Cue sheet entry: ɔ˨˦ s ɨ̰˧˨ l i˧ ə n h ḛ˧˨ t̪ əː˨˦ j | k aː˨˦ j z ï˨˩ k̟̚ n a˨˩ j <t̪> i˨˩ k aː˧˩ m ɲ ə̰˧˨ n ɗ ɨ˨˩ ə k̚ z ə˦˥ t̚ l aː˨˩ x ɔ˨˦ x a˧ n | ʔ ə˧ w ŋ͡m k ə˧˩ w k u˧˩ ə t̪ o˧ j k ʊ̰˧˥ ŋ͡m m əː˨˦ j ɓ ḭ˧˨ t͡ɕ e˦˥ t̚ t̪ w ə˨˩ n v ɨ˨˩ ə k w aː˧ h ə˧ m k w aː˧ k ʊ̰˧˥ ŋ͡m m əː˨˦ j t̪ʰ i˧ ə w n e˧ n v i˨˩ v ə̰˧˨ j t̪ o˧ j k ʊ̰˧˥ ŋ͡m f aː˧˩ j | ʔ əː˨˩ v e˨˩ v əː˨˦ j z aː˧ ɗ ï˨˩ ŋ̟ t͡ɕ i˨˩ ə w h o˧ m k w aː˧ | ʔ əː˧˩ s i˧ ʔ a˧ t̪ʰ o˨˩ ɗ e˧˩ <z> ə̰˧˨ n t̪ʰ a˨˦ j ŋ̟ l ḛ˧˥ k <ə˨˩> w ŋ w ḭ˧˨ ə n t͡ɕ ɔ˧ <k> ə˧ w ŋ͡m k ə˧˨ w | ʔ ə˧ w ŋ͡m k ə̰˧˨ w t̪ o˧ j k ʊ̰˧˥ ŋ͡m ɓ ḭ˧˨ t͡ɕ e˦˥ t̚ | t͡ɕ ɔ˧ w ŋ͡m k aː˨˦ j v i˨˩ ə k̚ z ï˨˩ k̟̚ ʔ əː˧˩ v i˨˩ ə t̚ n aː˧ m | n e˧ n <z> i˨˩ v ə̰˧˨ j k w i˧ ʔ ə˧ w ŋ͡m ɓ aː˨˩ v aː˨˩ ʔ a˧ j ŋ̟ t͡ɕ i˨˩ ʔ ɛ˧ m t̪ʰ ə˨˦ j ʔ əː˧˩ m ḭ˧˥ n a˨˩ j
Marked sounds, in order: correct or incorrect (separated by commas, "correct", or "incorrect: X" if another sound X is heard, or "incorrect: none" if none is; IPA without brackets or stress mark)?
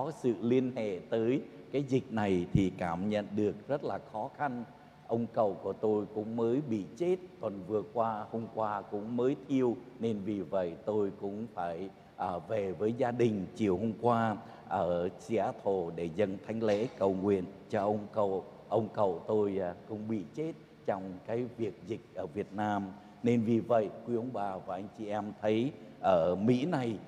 incorrect: t̪ʰ, correct, correct, incorrect: ʔ, incorrect: v